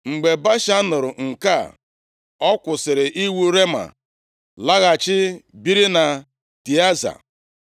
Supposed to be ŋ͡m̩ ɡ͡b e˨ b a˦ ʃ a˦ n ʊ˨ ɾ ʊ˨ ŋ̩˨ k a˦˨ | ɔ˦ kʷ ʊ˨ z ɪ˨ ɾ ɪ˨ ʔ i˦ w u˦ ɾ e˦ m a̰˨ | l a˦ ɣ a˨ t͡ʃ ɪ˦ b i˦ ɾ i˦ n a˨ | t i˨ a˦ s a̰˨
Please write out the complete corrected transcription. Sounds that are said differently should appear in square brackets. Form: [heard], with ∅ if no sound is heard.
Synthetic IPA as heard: ŋ͡m̩ ɡ͡b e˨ b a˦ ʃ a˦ n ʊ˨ ɾ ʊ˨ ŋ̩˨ k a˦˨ | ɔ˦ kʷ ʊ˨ [s] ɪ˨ ɾ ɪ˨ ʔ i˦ w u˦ ɾ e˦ m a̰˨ | l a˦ ɣ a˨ t͡ʃ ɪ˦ b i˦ ɾ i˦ n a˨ | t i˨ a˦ [z] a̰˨